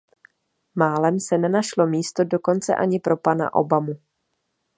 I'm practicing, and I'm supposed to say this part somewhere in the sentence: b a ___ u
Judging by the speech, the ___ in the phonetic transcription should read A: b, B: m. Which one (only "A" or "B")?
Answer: B